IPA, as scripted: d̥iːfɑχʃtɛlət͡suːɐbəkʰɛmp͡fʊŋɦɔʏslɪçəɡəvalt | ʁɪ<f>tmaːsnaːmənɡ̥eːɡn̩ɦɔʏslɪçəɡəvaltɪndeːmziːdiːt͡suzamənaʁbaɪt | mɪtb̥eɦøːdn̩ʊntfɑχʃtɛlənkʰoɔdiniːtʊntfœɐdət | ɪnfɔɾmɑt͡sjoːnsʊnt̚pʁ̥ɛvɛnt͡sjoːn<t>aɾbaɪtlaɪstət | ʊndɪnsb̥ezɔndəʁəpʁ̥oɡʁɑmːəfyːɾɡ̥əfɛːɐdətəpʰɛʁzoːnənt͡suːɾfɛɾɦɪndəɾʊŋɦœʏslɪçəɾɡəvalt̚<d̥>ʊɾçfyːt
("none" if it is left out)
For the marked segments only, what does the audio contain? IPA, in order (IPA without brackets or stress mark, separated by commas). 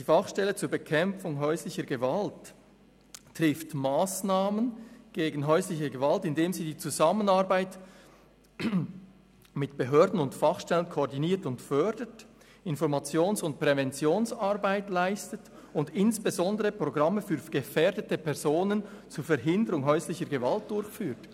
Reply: f, s, d̥